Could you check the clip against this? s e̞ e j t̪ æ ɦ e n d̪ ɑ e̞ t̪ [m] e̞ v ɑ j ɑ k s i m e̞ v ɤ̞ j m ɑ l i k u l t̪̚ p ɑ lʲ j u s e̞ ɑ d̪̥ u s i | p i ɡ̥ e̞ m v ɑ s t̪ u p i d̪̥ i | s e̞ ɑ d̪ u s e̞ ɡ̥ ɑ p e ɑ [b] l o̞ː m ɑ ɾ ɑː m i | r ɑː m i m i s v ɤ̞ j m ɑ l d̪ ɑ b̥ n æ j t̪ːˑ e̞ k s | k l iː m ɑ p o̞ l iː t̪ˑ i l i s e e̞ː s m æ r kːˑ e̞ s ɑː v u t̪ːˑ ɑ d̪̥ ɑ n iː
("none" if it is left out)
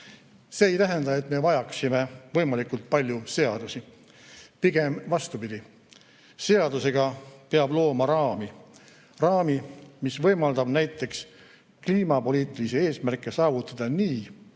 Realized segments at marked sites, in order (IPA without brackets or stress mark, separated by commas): m, b